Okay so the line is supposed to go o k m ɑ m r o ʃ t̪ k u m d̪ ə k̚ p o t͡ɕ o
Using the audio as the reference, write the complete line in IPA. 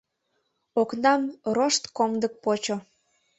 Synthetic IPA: o k n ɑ m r o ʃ t̪ k o m d̪ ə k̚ p o t͡ɕ o